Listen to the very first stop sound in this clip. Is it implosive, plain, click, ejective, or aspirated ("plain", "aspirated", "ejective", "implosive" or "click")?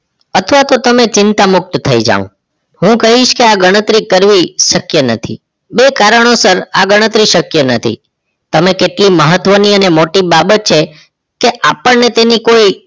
aspirated